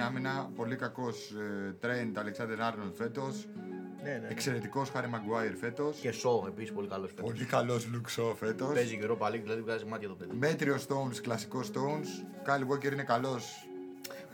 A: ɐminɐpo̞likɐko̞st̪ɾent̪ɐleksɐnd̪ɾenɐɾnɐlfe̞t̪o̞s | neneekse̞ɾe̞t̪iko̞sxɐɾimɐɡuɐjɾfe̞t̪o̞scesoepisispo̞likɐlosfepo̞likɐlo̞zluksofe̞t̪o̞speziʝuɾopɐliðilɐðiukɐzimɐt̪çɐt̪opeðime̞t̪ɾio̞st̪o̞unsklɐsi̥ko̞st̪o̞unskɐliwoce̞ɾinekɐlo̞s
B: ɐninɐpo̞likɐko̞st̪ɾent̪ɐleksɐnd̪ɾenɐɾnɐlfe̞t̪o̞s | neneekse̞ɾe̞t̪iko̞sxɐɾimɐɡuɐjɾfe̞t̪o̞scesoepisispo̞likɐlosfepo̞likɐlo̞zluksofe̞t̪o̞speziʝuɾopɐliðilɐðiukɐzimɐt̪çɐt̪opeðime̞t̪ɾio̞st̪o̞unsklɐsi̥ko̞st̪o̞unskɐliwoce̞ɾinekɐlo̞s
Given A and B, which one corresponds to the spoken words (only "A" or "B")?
A